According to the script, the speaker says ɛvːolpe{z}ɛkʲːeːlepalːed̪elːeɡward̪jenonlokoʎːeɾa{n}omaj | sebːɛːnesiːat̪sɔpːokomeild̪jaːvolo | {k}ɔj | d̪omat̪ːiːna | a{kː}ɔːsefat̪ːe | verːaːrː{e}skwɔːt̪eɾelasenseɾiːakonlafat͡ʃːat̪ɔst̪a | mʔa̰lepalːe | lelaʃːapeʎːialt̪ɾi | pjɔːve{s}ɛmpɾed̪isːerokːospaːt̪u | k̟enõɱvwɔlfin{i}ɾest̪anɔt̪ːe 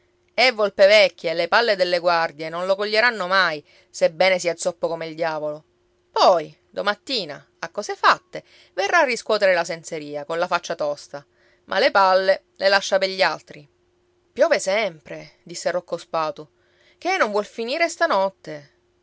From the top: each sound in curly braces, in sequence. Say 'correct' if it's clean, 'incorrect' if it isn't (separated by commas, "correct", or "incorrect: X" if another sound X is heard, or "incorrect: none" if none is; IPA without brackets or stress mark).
incorrect: v, incorrect: nː, incorrect: p, correct, incorrect: i, correct, incorrect: iː